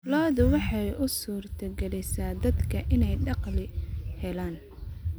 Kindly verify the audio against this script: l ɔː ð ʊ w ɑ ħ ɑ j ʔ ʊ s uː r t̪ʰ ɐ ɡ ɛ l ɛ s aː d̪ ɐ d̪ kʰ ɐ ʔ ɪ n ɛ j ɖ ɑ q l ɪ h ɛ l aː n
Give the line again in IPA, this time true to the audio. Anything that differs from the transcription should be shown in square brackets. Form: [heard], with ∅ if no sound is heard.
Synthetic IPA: l ɔː ð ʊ w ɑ ħ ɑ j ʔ ʊ s uː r t̪ʰ ɐ ɡ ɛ l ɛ s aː d̪ ɐ d̪ kʰ ɐ ʔ ɪ n ɛ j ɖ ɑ q l ɪ h ɛ l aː n